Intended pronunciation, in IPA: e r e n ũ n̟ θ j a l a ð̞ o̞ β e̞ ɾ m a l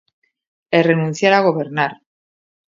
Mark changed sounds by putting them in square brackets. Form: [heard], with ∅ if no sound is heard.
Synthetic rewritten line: e r e n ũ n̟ θ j a [ɾ] a [ɣ̞] o̞ β e̞ ɾ [n] a [ɾ]